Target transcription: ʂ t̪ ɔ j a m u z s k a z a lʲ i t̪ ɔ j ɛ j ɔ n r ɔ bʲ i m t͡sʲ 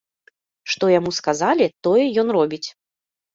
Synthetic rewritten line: ʂ t̪ ɔ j a m u s k a z a lʲ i t̪ ɔ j ɛ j ɔ n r ɔ bʲ i t͡sʲ